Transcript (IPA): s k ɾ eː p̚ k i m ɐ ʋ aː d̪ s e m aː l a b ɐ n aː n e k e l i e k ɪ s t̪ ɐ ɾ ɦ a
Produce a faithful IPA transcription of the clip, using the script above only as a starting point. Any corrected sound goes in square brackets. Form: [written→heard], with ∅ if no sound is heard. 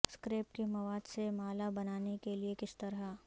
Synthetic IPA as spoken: s k ɾ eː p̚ k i m ɐ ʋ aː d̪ s e m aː l a b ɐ n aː n e k e l i e k ɪ s t̪ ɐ ɾ ɦ a